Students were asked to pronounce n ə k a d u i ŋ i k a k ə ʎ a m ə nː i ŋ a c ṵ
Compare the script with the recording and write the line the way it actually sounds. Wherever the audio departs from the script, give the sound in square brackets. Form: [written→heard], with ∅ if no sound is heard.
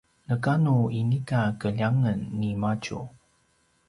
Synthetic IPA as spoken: n ə k a [d→n] u i [ŋ→n] i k a k ə ʎ a [m→ŋ] ə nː i [ŋ→m] a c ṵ